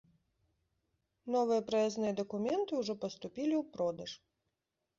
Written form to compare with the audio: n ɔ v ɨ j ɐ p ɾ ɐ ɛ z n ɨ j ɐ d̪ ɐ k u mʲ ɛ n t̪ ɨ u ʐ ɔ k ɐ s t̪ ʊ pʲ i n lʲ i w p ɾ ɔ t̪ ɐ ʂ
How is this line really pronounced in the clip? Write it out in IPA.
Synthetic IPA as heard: n ɔ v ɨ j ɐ p ɾ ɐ ɛ z n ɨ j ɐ d̪ ɐ k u mʲ ɛ n t̪ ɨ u ʐ ɔ p ɐ s t̪ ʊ pʲ i lʲ i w p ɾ ɔ d̪ ɐ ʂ